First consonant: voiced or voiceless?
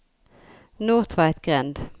voiced